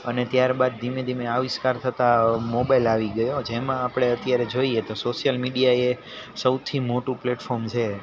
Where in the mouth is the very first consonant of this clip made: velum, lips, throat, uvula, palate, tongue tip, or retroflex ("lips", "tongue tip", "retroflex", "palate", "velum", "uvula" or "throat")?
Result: tongue tip